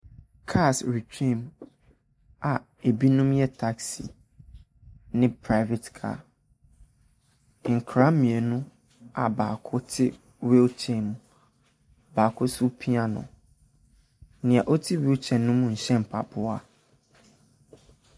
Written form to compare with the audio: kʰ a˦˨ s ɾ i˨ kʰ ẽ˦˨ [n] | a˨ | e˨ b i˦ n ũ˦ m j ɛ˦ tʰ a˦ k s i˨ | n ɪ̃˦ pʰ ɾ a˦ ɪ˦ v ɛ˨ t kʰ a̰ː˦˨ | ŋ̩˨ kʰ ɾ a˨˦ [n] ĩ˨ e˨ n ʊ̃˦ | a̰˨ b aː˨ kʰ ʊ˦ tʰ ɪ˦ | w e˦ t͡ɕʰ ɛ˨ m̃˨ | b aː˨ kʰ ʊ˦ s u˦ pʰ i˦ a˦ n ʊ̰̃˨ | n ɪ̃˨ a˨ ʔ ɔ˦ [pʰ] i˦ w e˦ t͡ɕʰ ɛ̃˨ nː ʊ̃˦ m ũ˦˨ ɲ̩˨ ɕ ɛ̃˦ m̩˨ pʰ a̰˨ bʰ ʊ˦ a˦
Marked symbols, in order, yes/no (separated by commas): no, no, no